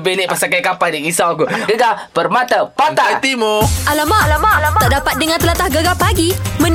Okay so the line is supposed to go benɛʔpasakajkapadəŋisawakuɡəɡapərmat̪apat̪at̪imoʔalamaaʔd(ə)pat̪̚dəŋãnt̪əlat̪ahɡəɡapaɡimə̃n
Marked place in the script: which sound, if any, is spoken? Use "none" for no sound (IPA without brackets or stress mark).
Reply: a